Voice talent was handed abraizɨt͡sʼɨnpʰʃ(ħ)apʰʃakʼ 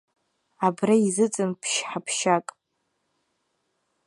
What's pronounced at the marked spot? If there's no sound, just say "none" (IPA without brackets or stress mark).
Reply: ħ